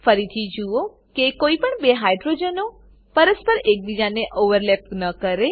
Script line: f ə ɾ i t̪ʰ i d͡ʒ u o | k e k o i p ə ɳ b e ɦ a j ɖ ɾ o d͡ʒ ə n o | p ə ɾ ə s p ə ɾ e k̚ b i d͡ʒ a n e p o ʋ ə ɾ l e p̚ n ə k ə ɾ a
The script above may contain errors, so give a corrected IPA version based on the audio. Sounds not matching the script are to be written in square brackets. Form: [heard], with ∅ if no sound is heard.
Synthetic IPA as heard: f ə ɾ i t̪ʰ i d͡ʒ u o | k e k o i p ə ɳ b e ɦ a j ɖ ɾ o d͡ʒ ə n o | p ə ɾ ə s p ə ɾ e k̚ b i d͡ʒ a n e [ʔ] o ʋ ə ɾ l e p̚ n ə k ə ɾ [e]